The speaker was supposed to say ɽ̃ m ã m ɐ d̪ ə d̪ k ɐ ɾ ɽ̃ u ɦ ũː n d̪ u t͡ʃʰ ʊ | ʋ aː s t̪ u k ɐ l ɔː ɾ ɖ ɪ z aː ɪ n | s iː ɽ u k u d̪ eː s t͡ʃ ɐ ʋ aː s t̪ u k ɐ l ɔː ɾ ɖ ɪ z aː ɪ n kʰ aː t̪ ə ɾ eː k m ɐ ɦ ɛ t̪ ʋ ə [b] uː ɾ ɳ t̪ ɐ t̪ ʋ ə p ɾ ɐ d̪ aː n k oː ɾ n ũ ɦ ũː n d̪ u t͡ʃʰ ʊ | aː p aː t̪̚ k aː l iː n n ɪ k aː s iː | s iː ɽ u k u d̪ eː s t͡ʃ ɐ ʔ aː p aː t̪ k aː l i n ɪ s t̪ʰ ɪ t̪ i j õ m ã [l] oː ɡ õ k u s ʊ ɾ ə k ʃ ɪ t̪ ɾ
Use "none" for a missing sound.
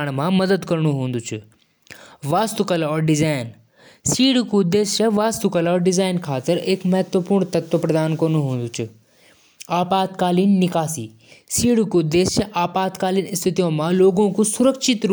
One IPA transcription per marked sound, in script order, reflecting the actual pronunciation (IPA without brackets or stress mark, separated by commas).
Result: p, l